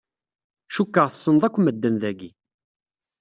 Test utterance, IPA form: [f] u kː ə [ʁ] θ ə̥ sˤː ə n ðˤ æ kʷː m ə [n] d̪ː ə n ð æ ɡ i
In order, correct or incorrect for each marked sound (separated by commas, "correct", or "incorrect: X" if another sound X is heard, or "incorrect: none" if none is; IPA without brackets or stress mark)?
incorrect: ʃ, correct, incorrect: none